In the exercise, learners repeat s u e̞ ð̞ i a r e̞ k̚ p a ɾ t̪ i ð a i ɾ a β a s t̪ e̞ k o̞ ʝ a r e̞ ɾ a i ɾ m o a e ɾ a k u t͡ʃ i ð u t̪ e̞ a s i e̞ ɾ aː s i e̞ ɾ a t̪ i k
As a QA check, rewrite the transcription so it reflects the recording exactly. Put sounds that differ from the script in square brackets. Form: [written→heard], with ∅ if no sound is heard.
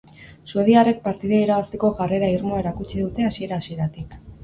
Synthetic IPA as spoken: s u e̞ ð̞ i a r e̞ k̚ p a ɾ t̪ i ð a i ɾ a β a s t̪ e̞ k o̞ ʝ a r e̞ ɾ a i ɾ m o a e ɾ a k u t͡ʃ i ð u t̪ e̞ a s i e̞ ɾ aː s i e̞ ɾ a t̪ i k